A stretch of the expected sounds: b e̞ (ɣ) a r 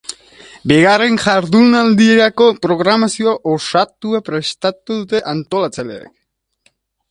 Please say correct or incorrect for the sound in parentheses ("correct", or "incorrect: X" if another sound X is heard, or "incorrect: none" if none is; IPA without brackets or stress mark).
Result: correct